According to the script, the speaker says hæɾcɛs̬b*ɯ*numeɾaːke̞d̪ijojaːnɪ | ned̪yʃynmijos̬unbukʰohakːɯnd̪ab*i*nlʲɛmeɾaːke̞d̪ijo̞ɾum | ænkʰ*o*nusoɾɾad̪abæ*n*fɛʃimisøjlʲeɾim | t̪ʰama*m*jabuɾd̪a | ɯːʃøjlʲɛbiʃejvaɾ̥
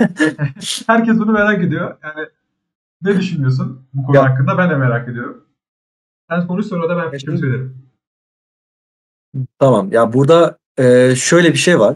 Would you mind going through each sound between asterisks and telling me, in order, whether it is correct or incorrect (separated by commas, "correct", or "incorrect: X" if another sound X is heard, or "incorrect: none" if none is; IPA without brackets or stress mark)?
incorrect: u, incorrect: æ, correct, correct, correct